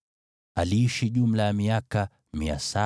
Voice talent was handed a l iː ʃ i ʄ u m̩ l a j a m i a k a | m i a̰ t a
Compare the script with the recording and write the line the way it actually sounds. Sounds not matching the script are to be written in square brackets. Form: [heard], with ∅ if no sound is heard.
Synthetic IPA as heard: a l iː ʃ i ʄ u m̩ l a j a m i a k a | m i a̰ [s] a